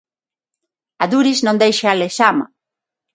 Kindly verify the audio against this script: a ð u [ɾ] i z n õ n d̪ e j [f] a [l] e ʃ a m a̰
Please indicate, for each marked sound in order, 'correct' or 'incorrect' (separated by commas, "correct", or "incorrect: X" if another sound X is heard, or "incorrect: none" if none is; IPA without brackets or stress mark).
correct, incorrect: ʃ, correct